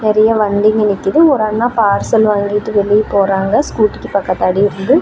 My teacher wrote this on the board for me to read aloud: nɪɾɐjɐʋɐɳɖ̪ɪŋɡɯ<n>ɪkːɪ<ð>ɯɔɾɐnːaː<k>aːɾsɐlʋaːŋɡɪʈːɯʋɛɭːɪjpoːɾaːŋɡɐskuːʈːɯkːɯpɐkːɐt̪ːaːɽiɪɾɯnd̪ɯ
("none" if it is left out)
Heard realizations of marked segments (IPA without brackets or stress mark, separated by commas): n, ð, p